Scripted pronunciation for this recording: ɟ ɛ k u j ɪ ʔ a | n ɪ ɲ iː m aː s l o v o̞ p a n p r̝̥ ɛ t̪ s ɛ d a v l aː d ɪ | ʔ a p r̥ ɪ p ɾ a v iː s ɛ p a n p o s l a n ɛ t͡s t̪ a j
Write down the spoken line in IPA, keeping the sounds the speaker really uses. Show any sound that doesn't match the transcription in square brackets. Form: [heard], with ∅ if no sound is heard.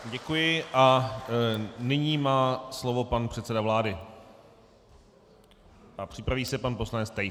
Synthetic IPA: ɟ ɛ k u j ɪ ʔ a | n ɪ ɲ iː m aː s l o v o̞ p a n p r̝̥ ɛ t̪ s ɛ d a v l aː d ɪ | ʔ a p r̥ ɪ p ɾ a v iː s ɛ p a n p o s l a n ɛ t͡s t̪ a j